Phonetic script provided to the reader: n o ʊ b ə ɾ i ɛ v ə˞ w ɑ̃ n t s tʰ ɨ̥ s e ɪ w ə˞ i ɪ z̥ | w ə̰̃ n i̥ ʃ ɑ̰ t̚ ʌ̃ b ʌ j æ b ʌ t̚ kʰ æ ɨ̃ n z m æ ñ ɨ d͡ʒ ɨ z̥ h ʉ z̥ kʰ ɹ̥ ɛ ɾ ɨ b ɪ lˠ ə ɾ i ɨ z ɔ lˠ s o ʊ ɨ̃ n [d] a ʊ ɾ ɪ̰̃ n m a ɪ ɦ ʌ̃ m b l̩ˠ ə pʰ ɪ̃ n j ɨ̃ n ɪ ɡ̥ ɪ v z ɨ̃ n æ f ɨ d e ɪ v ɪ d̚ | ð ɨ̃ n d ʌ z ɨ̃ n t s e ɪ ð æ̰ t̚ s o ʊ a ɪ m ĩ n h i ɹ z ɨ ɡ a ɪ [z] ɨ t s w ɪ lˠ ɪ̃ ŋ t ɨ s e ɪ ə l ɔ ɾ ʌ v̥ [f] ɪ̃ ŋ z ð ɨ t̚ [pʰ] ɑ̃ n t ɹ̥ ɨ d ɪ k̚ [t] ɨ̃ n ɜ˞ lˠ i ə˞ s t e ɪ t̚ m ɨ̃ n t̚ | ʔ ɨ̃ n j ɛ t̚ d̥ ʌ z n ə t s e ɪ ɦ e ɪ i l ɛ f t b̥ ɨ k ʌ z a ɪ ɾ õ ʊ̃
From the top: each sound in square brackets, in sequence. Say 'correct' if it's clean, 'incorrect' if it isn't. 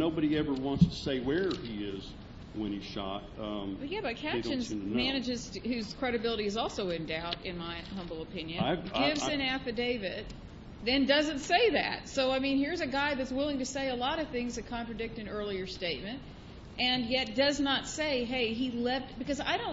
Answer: correct, incorrect: ð, incorrect: θ, incorrect: kʰ, correct

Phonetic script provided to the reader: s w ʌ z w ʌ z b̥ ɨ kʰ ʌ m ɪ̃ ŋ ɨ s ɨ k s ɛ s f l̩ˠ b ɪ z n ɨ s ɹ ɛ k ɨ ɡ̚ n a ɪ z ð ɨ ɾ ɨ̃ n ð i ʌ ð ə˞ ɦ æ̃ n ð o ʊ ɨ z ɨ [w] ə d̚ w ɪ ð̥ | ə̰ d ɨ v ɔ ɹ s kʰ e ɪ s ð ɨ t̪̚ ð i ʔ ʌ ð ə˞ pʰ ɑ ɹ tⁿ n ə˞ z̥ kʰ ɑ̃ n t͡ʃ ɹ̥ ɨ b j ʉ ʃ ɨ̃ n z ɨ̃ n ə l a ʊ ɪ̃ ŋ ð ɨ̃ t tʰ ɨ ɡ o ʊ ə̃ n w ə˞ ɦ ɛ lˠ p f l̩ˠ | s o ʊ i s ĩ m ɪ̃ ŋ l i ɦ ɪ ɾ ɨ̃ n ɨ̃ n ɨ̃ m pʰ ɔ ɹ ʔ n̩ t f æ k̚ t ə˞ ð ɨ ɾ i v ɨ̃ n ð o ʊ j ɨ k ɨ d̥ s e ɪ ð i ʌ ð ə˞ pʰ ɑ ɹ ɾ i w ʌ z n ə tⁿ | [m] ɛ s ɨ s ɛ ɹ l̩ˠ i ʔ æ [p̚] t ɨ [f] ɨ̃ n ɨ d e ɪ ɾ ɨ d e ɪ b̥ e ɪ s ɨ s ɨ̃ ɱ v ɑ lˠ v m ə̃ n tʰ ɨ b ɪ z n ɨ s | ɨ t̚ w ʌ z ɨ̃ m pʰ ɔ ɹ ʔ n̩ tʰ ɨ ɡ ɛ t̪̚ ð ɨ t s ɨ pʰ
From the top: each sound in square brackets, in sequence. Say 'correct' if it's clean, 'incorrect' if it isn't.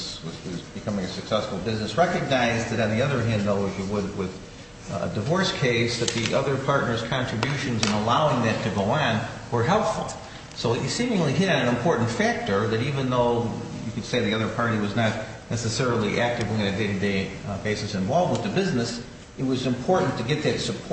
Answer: correct, incorrect: n, incorrect: k̚, incorrect: v

